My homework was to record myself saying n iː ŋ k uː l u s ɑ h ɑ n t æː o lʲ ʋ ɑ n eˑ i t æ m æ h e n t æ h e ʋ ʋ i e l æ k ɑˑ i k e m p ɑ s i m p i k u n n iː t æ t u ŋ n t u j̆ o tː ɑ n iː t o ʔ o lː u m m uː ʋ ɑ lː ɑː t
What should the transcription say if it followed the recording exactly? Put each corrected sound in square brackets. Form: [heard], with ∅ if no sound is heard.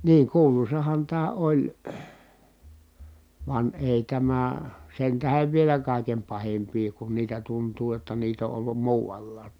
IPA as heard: n iː ŋ k uː l u s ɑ h ɑ n t æː o lʲ ʋ ɑ n eˑ i t æ m æ [s] e n t æ h e ʋ ʋ i e l æ k ɑˑ i k e m p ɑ [h] i m p [iː] k u n n iː t æ t u [∅] n t [uː] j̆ o tː ɑ n iː t o ʔ o lː u m m uː ʋ ɑ lː ɑː t